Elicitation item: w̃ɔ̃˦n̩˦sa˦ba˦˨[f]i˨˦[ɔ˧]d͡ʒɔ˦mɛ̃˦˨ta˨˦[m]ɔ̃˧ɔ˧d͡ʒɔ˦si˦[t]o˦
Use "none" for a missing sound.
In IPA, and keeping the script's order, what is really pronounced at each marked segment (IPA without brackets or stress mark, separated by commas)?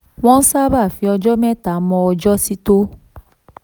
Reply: f, ɔ˧, m, t